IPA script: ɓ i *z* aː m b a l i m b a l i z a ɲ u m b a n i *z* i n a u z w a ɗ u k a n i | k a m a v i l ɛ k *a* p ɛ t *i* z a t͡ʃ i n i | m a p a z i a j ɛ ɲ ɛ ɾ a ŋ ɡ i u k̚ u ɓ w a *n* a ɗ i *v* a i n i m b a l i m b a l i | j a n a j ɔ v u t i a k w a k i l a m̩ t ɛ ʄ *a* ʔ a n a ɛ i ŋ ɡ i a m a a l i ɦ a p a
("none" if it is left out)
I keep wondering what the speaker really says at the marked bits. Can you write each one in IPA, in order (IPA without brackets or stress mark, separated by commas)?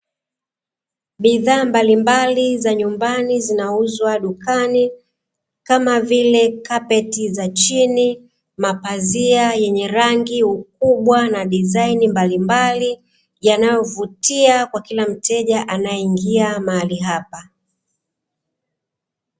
ð, z, a, i, n, z, a